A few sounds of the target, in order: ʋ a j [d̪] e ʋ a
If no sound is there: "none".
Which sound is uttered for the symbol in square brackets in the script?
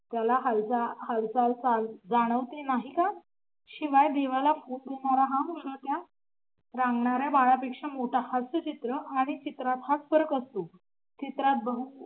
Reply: d̪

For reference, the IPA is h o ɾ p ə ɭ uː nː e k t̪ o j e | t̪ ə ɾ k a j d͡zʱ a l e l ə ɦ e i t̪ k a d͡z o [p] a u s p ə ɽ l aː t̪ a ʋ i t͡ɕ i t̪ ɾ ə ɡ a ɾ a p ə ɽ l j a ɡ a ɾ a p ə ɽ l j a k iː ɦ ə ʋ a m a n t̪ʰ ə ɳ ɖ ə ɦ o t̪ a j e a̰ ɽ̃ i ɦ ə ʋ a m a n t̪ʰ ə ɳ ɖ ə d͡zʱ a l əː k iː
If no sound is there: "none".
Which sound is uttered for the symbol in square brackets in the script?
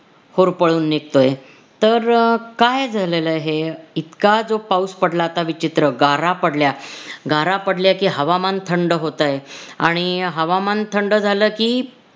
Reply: p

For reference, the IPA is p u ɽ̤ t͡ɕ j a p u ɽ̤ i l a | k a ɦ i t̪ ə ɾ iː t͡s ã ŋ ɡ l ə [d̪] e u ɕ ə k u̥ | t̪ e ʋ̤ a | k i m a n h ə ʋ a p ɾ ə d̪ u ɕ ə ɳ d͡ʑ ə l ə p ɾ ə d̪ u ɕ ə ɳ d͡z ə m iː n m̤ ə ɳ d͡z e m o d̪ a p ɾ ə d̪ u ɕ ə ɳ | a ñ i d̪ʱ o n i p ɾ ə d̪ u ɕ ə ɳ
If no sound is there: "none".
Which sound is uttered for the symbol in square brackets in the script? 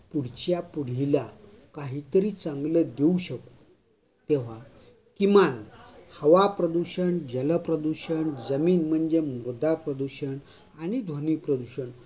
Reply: d̪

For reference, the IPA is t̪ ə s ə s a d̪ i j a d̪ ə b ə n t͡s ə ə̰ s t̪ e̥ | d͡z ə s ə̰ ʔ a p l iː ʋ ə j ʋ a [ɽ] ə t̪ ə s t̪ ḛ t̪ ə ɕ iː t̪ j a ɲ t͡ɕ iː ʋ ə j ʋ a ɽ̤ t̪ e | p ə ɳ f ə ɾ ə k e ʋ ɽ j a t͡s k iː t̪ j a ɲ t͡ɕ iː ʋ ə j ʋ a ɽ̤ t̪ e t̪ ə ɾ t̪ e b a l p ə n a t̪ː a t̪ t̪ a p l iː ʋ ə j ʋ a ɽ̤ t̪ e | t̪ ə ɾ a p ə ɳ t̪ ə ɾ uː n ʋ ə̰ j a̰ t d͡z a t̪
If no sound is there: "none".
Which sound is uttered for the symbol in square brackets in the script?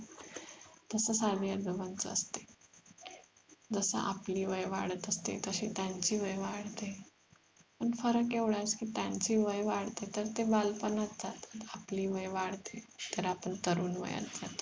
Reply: ɽ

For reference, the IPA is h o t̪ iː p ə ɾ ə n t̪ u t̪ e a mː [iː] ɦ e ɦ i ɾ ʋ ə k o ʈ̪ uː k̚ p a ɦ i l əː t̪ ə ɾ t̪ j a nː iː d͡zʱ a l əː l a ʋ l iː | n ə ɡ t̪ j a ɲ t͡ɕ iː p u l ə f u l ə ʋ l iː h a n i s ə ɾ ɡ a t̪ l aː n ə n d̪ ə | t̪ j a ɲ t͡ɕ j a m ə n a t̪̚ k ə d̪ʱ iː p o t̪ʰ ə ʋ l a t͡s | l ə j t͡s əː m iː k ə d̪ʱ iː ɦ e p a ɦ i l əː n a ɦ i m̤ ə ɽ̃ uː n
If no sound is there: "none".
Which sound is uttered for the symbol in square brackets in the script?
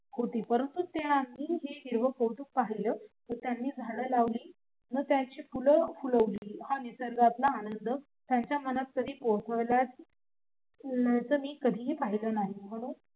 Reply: iː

